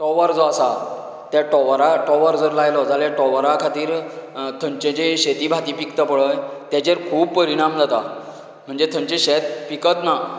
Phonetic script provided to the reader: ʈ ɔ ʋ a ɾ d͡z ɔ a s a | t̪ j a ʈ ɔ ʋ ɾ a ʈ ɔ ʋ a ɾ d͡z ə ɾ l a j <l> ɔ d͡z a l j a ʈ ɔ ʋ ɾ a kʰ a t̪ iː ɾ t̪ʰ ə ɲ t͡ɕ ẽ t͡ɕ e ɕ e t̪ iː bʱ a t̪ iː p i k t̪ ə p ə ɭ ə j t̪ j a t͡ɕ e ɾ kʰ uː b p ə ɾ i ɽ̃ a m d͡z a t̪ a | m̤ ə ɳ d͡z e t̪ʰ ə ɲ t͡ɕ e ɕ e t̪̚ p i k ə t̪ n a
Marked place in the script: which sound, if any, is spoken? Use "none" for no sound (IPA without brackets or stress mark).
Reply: l